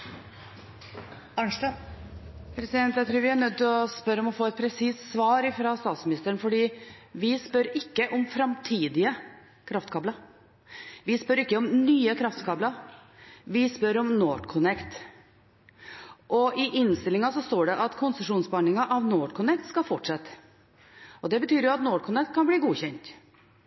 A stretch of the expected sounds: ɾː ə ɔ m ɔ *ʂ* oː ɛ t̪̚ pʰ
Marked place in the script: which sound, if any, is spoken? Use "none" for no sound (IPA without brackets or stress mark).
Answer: f